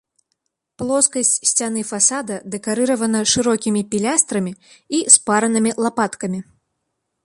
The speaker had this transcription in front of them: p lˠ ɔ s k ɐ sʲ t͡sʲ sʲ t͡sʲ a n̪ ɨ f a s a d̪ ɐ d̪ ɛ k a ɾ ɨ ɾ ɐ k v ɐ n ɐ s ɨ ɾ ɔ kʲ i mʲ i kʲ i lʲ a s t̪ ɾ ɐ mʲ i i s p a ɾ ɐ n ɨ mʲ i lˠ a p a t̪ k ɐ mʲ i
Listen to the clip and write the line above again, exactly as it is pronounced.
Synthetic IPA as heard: p lˠ ɔ s k ɐ sʲ t͡sʲ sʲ t͡sʲ a n̪ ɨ f a s a d̪ ɐ d̪ ɛ k a ɾ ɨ ɾ ɐ v ɐ n ɐ ʂ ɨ ɾ ɔ kʲ i mʲ i pʲ i lʲ a s t̪ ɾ ɐ mʲ i i s p a ɾ ɐ n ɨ mʲ i lˠ a p a t̪ k ɐ mʲ i